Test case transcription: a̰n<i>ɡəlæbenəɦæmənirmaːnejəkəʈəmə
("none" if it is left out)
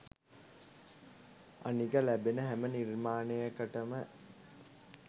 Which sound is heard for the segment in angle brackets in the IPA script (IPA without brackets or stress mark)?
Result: i